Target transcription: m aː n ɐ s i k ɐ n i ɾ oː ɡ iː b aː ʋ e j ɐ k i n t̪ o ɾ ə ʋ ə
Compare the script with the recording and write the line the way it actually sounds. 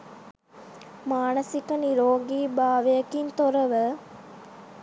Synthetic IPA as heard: m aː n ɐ s i k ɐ n i ɾ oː ɡ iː b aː ʋ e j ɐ k i n t̪ o ɾ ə ʋ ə